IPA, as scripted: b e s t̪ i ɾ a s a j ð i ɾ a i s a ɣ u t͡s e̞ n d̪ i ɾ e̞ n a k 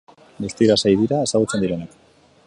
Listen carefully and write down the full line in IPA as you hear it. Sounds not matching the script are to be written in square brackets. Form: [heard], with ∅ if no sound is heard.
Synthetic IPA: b e s t̪ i ɾ a s a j ð i ɾ a [e] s a ɣ u t͡s e̞ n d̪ i ɾ e̞ n a k